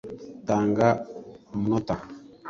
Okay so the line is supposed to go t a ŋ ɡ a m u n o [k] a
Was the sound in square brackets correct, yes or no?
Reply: no